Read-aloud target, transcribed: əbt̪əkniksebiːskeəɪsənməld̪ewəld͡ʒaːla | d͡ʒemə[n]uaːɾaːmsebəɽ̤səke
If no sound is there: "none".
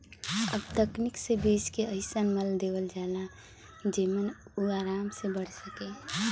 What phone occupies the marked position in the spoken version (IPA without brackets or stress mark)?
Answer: n